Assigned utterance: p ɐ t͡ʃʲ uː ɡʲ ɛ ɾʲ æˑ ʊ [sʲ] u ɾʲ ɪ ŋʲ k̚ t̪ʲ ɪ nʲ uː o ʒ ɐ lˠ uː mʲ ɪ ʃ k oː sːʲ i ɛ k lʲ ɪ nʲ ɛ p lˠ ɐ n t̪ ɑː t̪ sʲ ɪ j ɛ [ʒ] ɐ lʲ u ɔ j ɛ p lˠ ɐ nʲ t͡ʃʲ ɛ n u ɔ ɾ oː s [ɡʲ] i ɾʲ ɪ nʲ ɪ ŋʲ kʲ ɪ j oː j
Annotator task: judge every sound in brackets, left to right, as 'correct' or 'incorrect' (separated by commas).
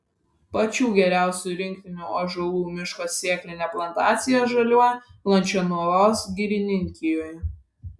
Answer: correct, correct, correct